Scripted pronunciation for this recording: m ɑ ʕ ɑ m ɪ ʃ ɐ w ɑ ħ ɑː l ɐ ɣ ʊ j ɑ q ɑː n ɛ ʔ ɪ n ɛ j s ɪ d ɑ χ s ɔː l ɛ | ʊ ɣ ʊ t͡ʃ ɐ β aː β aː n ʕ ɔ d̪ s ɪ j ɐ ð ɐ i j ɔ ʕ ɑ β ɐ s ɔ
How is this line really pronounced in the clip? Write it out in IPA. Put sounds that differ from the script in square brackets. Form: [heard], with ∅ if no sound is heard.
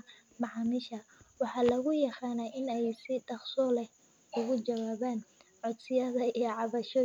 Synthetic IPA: m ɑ ʕ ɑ m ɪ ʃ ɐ w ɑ ħ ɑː l ɐ ɣ ʊ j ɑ q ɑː n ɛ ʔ ɪ n ɛ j s ɪ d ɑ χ s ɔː l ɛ | ʊ ɣ ʊ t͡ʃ ɐ [w] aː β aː n ʕ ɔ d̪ s ɪ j ɐ ð ɐ i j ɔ ʕ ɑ β ɐ [ʃ] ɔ